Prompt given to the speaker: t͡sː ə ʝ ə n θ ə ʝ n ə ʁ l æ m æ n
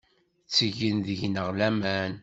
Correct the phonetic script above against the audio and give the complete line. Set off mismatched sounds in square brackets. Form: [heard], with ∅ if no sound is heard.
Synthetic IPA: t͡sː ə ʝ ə n [ð] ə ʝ n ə ʁ l æ m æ n